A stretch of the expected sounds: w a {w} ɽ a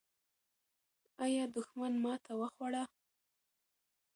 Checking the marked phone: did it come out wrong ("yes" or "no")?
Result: yes